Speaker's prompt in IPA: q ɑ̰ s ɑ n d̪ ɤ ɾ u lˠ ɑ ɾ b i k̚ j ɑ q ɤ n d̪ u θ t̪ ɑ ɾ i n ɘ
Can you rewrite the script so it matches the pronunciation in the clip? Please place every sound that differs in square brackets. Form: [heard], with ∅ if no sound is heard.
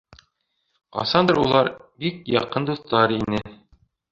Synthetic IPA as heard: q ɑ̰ s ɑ n d̪ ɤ ɾ u lˠ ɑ ɾ b i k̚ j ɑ q ɤ n d̪ u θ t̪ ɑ ɾ i n ɘ